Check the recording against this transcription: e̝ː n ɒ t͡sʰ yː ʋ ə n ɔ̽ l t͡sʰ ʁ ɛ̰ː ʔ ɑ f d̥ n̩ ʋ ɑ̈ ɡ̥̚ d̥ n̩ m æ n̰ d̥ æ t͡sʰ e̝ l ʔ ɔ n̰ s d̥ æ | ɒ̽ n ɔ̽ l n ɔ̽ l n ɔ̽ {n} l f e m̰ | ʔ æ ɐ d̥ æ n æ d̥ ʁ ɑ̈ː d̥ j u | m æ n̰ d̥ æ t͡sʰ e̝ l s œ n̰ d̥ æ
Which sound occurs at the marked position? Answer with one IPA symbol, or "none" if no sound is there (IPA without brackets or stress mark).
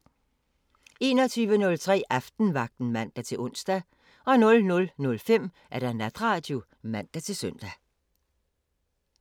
none